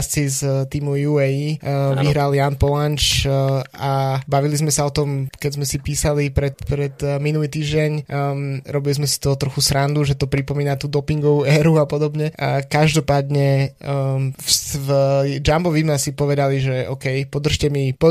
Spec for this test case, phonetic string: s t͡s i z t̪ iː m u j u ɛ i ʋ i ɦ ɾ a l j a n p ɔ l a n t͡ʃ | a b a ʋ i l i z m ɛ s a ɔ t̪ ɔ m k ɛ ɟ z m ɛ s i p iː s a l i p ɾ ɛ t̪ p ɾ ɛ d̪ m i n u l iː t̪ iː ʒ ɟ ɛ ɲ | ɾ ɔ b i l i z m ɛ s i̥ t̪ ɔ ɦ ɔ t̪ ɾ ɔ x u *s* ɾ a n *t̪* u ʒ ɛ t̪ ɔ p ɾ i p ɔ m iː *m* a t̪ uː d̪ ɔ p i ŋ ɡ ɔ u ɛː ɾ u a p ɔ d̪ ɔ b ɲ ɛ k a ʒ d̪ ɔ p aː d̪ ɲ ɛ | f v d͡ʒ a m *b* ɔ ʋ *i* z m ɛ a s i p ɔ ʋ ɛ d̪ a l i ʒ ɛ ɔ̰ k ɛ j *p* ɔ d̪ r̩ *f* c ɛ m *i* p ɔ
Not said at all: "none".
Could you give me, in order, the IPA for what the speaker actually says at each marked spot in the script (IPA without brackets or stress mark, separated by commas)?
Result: s, d̪, n, b, i, p, ʃ, i